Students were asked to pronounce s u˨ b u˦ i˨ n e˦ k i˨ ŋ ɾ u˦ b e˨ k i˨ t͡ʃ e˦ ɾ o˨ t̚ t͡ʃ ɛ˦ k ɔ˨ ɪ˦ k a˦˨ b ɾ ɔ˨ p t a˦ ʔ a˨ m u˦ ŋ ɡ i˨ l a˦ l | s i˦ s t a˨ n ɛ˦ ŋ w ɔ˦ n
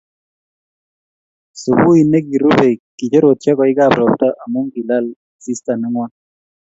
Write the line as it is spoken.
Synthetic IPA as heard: s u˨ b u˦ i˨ n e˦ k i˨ ɾ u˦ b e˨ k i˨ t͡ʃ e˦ ɾ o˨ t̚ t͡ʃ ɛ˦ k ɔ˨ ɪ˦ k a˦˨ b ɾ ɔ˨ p t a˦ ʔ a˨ m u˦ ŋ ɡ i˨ l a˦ l | s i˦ s t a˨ n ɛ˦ ŋ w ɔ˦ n

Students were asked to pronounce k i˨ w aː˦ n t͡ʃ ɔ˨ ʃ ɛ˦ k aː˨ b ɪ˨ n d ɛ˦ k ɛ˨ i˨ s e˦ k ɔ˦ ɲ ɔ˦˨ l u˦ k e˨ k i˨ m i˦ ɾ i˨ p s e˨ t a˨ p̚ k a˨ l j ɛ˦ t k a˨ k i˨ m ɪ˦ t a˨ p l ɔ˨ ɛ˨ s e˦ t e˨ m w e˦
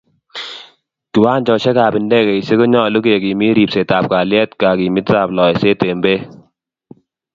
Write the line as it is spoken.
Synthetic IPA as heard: k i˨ w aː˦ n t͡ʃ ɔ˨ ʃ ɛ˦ k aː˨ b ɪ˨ n d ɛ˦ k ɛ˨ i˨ s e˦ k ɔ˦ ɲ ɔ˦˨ l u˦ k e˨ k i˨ m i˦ ɾ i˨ p s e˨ t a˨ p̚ k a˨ l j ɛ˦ t k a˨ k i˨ m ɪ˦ t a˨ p l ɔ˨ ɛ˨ s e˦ t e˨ m b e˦

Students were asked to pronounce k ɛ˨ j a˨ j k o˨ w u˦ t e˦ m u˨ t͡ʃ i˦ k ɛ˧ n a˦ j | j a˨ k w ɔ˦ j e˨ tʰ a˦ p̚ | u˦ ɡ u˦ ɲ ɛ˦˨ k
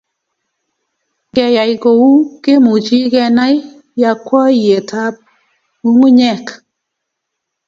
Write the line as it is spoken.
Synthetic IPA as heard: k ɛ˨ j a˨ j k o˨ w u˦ k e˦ m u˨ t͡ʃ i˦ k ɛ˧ n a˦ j | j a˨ k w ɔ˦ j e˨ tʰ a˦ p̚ | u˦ ŋ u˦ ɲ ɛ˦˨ k

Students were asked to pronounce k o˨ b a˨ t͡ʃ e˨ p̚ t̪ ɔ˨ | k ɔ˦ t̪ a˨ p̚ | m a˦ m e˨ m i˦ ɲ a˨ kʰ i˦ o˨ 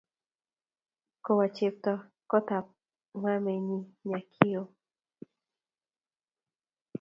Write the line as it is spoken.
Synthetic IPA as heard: k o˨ w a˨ t͡ʃ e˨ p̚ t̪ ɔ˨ | k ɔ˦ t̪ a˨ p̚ | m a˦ m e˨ ɲ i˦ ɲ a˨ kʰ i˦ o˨

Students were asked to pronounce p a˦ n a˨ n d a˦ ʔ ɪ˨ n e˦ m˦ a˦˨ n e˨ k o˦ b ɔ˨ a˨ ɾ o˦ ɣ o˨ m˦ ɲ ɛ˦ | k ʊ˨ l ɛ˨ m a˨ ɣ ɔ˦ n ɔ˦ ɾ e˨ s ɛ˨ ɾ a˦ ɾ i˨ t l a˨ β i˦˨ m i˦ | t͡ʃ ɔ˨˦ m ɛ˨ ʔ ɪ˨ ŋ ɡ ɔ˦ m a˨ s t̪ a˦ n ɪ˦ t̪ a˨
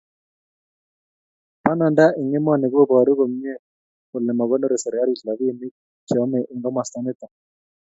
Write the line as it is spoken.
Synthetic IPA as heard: p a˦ n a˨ n d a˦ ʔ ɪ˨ ŋ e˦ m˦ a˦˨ n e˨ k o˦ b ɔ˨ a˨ ɾ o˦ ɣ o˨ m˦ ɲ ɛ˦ | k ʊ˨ l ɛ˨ m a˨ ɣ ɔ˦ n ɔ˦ ɾ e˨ s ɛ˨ ɾ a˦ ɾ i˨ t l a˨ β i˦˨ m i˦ | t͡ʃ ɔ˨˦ m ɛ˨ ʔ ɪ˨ ŋ ɡ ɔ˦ m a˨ s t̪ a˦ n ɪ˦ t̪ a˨

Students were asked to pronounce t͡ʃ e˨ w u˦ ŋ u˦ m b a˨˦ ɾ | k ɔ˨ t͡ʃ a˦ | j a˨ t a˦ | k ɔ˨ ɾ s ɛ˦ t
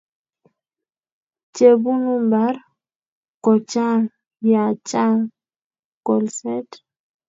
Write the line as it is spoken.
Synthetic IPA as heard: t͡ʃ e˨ b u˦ n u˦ m b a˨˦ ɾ | k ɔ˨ t͡ʃ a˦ | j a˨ t͡ʃ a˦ | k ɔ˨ l s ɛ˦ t

